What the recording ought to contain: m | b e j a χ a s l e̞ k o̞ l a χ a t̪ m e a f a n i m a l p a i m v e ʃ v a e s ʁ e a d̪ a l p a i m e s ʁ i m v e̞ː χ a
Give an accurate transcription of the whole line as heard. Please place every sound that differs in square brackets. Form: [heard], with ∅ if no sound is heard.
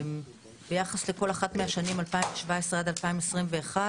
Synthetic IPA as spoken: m | b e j a χ a s l e̞ k o̞ l a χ a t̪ m e a [ʃ] a n i m a l p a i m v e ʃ v a e s ʁ e a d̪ a l p a i m e s ʁ i m v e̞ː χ a